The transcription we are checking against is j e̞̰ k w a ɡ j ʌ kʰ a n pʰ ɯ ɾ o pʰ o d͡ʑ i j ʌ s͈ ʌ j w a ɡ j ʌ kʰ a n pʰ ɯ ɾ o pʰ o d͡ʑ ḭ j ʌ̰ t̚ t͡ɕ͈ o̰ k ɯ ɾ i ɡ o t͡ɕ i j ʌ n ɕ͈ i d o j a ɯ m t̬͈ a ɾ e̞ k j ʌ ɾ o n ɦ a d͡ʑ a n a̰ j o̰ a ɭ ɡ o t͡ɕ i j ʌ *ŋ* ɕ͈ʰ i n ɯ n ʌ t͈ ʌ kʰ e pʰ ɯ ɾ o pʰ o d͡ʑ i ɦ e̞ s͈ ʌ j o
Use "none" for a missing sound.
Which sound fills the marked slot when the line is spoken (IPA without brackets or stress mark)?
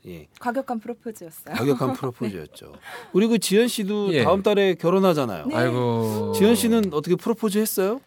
n